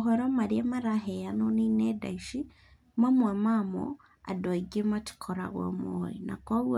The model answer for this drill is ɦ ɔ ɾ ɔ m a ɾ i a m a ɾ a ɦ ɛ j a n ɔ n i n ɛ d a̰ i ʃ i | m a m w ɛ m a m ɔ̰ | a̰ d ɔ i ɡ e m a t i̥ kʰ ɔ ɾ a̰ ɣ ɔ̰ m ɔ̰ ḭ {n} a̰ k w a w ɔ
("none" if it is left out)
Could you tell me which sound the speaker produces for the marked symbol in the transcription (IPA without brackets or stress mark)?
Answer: n